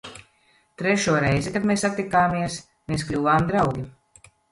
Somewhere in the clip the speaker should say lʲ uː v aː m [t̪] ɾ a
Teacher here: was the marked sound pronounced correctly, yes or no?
no